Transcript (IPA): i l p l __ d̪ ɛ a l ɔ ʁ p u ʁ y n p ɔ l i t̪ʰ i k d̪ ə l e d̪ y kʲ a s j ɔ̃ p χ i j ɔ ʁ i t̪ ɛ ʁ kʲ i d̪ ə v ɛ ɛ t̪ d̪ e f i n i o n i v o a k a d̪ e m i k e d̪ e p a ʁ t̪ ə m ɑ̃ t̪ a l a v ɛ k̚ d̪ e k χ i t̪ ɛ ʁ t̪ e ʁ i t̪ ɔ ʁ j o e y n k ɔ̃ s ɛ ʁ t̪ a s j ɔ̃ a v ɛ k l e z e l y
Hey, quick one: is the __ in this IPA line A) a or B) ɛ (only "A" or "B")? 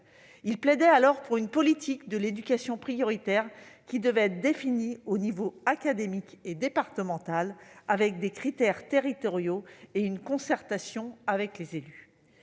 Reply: B